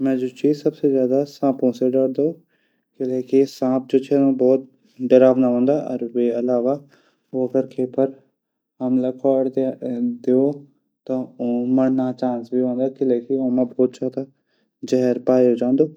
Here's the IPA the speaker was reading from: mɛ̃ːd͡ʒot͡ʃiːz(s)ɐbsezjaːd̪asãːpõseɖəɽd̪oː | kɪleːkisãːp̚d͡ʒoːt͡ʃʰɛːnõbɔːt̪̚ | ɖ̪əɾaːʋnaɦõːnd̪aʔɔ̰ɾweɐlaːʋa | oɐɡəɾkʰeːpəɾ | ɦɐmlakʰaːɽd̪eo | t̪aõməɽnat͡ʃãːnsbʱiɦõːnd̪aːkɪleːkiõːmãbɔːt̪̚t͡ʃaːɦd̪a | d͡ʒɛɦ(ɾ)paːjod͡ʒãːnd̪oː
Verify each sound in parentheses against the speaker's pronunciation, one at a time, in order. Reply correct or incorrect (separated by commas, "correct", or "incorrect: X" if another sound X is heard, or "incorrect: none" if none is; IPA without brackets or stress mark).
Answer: correct, correct